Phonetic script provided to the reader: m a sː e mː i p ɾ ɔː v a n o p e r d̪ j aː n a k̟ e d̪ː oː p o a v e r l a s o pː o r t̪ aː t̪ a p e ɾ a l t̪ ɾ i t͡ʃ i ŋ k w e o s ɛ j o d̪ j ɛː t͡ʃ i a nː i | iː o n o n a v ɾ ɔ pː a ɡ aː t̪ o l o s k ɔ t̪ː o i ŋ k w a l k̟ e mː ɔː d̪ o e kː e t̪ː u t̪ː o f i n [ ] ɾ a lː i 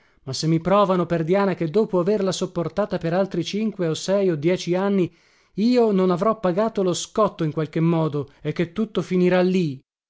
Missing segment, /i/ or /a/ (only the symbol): i